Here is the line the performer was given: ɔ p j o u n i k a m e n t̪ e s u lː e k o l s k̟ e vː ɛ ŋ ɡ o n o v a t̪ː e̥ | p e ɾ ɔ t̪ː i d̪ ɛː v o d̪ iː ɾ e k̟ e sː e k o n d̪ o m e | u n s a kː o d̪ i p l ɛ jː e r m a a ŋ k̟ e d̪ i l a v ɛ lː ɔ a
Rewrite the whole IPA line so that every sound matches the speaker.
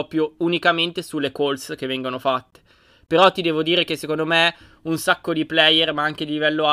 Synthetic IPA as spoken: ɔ p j o u n i k a m e n t̪ e s u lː e k o l s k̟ e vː ɛ ŋ ɡ o n o f a t̪ː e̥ | p e ɾ ɔ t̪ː i d̪ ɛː v o d̪ iː ɾ e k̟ e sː e k o n d̪ o m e | u n s a kː o d̪ i p l ɛ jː e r m a a ŋ k̟ e d̪ i l i v ɛ lː o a